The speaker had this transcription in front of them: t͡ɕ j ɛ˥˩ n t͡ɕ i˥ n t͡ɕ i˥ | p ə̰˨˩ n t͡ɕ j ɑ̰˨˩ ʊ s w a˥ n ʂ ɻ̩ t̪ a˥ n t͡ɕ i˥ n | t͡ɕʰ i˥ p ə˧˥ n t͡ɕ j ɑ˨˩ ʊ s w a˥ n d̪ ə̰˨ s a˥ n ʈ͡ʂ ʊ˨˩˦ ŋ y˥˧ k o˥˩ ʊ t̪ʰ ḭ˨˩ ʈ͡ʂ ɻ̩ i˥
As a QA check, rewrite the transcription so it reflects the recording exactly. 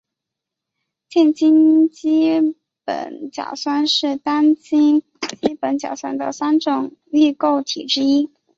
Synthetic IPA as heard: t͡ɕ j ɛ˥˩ n t͡ɕ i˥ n t͡ɕ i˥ | p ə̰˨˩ n t͡ɕ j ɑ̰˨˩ ʊ s w a˥ n ʂ ɻ̩ t̪ a˥ n t͡ɕ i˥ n | t͡ɕ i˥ p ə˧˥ n t͡ɕ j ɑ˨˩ ʊ s w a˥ n d̪ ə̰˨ s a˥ n ʈ͡ʂ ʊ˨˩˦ ŋ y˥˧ k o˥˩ ʊ t̪ʰ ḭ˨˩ ʈ͡ʂ ɻ̩ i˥

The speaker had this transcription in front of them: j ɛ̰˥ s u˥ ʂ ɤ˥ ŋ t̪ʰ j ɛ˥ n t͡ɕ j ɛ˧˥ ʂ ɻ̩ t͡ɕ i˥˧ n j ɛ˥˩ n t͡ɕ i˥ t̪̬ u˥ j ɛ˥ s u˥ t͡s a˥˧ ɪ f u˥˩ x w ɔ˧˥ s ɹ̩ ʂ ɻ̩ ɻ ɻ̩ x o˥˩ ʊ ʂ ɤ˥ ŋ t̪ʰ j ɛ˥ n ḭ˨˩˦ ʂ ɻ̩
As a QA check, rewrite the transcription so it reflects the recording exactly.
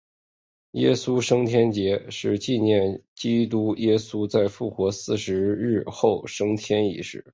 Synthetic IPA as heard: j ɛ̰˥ s u˥ ʂ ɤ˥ ŋ t̪ʰ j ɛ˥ n t͡ɕ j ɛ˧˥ ʂ ɻ̩ t͡ɕ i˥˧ n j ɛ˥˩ n t͡ɕ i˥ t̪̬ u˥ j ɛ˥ s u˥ t͡s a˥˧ ɪ f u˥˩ x w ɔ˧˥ s ɹ̩ ʂ ɻ̩ ɻ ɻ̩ x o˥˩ ʊ ʂ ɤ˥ ŋ t̪ʰ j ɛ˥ n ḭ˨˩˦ ʂ ɻ̩

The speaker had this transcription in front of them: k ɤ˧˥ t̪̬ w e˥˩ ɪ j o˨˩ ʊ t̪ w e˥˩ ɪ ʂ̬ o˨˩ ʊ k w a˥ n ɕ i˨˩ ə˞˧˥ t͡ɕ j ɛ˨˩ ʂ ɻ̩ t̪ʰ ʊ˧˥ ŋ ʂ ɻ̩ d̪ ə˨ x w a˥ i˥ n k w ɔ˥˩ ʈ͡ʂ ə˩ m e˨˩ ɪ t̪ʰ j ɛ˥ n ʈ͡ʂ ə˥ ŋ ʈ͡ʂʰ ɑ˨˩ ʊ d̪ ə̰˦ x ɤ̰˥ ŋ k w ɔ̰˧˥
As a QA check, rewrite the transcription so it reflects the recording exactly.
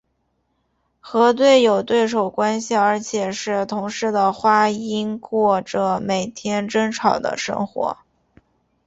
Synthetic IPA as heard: x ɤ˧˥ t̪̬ w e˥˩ ɪ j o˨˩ ʊ t̪ w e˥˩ ɪ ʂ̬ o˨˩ ʊ k w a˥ n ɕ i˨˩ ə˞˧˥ t͡ɕʰ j ɛ˨˩ ʂ ɻ̩ t̪ʰ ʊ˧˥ ŋ ʂ ɻ̩ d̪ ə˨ x w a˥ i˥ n k w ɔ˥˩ ʈ͡ʂ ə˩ m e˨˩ ɪ t̪ʰ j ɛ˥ n ʈ͡ʂ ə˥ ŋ ʈ͡ʂʰ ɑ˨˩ ʊ d̪ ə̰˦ ʂ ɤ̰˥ ŋ x w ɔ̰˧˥

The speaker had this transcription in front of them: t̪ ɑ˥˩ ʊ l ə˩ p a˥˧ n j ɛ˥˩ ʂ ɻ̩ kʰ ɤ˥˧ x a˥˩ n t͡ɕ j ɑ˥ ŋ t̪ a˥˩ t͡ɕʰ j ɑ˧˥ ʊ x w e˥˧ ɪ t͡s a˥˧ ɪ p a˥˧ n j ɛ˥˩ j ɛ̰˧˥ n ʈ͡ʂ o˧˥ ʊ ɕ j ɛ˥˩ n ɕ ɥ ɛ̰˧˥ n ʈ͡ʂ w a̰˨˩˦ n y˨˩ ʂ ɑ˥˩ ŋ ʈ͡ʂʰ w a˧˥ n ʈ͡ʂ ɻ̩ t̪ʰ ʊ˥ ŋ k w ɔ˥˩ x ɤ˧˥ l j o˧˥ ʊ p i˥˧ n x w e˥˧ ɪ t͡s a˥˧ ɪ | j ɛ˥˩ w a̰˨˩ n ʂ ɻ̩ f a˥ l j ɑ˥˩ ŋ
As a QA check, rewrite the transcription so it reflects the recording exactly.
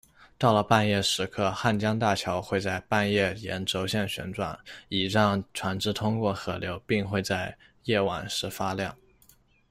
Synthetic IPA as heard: t̪ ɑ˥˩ ʊ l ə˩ p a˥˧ n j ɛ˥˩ ʂ ɻ̩ kʰ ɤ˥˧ x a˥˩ n t͡ɕ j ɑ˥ ŋ t̪ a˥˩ t͡ɕʰ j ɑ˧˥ ʊ x w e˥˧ ɪ t͡s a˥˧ ɪ p a˥˧ n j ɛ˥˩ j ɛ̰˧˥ n ʈ͡ʂ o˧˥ ʊ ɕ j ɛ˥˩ n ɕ ɥ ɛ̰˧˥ n ʈ͡ʂ w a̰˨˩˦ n i˨˩ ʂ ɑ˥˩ ŋ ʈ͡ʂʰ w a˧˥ n ʈ͡ʂ ɻ̩ t̪ʰ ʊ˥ ŋ k w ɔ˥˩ x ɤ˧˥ l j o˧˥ ʊ p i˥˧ ŋ x w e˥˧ ɪ t͡s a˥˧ ɪ | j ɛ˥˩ w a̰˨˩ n ʂ ɻ̩ f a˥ l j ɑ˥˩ ŋ

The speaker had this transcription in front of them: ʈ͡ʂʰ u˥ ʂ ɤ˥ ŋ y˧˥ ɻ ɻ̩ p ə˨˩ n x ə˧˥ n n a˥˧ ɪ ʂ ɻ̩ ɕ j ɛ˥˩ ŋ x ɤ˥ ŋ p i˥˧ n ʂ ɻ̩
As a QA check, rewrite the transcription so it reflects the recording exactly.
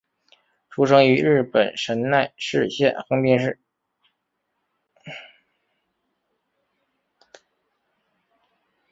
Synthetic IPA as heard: ʈ͡ʂʰ u˥ ʂ ɤ˥ ŋ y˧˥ ɻ ɻ̩ p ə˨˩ n ʂ ə˧˥ n n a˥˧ ɪ ʂ ɻ̩ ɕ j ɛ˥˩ n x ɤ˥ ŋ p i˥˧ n ʂ ɻ̩

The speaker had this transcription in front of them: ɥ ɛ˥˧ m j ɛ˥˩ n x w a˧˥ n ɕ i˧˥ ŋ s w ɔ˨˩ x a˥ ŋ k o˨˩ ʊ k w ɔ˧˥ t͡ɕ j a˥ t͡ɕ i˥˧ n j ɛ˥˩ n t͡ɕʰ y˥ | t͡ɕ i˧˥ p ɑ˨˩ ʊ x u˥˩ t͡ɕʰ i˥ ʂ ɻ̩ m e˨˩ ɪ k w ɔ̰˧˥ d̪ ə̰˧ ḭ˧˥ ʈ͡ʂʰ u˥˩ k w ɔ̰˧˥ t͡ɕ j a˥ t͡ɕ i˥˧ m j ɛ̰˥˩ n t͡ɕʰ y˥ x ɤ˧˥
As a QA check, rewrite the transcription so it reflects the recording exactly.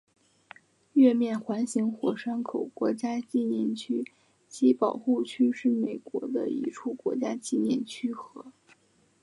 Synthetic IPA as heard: ɥ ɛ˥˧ m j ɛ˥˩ n x w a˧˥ n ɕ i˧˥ ŋ x w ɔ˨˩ ʂ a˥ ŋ kʰ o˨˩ ʊ k w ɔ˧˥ t͡ɕ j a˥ t͡ɕ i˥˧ n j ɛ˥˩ n t͡ɕʰ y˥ | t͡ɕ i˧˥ p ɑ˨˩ ʊ x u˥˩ t͡ɕʰ y˥ ʂ ɻ̩ m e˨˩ ɪ k w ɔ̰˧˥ d̪ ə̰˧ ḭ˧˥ ʈ͡ʂʰ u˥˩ k w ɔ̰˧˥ t͡ɕ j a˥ t͡ɕ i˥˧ n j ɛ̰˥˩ n t͡ɕʰ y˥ x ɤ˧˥

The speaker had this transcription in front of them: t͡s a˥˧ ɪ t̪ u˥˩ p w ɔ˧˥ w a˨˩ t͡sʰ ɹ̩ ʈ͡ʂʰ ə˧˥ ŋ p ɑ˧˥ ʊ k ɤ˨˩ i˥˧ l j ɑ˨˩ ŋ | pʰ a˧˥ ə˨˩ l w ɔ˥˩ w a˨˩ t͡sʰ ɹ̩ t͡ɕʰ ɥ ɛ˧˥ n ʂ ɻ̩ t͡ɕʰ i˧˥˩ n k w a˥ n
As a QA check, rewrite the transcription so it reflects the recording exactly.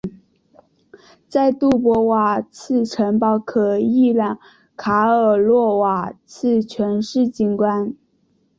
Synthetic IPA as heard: t͡s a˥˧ ɪ t̪ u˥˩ p w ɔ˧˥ w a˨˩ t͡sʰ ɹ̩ ʈ͡ʂʰ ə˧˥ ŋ p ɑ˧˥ ʊ kʰ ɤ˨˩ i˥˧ l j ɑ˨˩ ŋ | kʰ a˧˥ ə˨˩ l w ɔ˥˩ w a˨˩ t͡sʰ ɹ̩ t͡ɕʰ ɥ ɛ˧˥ n ʂ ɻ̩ t͡ɕ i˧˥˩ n k w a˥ n

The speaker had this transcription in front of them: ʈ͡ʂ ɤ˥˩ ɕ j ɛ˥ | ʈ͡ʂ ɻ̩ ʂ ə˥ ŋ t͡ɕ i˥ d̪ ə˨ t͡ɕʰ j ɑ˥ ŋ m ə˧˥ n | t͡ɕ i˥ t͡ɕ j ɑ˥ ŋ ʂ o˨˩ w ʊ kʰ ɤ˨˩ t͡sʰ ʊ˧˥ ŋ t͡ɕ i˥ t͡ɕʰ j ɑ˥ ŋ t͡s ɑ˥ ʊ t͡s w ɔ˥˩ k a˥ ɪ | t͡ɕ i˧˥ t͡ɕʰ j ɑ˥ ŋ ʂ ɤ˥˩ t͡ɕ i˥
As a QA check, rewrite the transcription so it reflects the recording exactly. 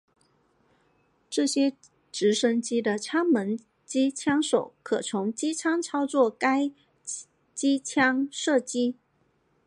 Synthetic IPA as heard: ʈ͡ʂ ɤ˥˩ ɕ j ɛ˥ | ʈ͡ʂ ɻ̩ ʂ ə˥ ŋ t͡ɕ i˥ d̪ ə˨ t͡ɕʰ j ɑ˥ ŋ m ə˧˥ n | t͡ɕ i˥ t͡ɕʰ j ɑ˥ ŋ ʂ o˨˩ ʊ kʰ ɤ˨˩ t͡sʰ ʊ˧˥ ŋ t͡ɕ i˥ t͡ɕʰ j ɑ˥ ŋ t͡sʰ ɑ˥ ʊ t͡s w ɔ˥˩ k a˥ ɪ | t͡ɕ i˥ t͡ɕʰ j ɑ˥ ŋ ʂ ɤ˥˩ t͡ɕ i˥

